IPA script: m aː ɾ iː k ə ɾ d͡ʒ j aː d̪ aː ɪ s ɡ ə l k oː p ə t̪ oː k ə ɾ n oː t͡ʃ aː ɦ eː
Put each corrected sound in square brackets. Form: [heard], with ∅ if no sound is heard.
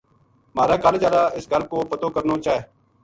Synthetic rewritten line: m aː ɾ [aː] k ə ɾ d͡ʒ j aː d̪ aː ɪ s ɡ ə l k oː p ə t̪ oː k ə ɾ n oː t͡ʃ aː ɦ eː

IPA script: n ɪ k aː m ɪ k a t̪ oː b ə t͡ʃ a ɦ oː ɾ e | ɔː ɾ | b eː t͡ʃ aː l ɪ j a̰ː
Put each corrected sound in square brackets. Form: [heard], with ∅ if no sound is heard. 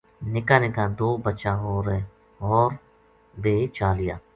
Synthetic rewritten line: n ɪ k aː [n] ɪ k a [d̪] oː b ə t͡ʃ a ɦ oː ɾ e | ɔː ɾ | b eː t͡ʃ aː l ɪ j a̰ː

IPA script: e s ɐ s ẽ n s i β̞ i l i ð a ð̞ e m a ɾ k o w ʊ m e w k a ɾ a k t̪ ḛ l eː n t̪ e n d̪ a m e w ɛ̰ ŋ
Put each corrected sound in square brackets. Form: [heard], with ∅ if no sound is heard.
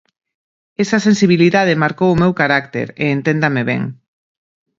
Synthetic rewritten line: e s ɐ s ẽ n s i β̞ i l i ð a ð̞ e m a ɾ k o w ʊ m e w k a ɾ a k t̪ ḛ [ɾ] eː n t̪ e n d̪ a m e [β] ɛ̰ ŋ

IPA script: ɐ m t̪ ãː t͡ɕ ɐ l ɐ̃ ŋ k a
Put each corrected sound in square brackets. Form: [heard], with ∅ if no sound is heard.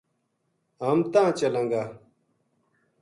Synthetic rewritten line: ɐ m t̪ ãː t͡ɕ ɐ l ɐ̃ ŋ [ɡ] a

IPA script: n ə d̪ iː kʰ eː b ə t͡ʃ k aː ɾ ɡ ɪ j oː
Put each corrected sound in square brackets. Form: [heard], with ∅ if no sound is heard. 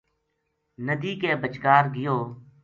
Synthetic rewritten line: n ə d̪ iː [k] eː b ə t͡ʃ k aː ɾ ɡ ɪ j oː

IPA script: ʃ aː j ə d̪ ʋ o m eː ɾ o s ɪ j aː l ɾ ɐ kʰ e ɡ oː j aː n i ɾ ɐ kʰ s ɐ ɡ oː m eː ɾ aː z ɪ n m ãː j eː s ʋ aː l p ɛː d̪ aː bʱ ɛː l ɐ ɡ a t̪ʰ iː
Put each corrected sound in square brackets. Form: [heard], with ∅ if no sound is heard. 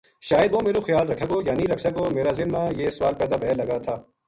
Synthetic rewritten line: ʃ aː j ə d̪ ʋ o m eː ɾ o [x] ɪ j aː l ɾ ɐ kʰ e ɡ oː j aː n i ɾ ɐ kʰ s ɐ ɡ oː m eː ɾ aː z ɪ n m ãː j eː s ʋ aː l p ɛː d̪ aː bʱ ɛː l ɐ ɡ a t̪ʰ [aː]

